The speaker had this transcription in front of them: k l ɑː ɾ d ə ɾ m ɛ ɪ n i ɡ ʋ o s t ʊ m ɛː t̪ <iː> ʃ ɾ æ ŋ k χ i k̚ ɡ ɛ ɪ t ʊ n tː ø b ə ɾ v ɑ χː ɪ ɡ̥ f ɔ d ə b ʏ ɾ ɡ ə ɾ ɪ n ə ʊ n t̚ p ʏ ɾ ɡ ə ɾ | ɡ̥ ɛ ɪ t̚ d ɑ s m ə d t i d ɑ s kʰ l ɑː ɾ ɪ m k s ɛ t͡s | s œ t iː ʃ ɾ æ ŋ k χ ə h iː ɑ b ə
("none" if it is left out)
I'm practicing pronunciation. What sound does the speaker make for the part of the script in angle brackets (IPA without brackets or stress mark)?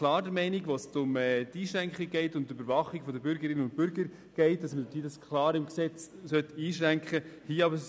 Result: iː